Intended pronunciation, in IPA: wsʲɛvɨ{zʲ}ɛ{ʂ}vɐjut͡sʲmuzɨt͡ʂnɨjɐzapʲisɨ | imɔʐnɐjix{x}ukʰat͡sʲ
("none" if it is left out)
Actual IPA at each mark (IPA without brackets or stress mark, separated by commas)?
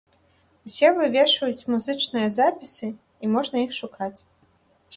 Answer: vʲ, ʂ, ʂ